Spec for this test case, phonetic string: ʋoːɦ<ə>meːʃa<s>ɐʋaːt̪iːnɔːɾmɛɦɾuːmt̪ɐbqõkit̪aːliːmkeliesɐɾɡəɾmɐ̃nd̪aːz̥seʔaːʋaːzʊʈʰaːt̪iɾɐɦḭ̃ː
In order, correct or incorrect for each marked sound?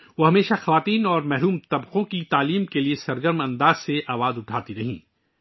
incorrect: ɐ, incorrect: x

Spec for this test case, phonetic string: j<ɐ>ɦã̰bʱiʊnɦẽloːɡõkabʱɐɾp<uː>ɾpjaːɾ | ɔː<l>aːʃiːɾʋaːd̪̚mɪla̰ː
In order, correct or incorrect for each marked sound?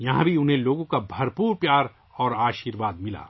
correct, correct, incorrect: ɾ

